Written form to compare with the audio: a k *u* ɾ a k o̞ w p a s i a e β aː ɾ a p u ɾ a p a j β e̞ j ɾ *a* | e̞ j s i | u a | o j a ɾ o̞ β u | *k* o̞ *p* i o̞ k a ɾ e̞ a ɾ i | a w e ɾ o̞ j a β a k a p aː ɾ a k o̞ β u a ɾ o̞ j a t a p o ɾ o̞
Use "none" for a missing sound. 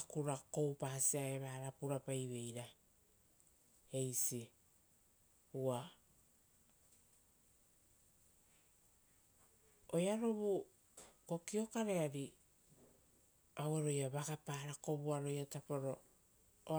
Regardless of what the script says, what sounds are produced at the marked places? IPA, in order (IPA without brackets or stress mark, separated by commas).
u, a, k, k